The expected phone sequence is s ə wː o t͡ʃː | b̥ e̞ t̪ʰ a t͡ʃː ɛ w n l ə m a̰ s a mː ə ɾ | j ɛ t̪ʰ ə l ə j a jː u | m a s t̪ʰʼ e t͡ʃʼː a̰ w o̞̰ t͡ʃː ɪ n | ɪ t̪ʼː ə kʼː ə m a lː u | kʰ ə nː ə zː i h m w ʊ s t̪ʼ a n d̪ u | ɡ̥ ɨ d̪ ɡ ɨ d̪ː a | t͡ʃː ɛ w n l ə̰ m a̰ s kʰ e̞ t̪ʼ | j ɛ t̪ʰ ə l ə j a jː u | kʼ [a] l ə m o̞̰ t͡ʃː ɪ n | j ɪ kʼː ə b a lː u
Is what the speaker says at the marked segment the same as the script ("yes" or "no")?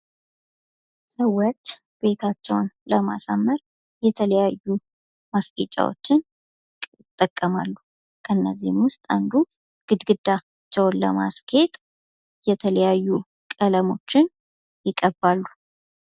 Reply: no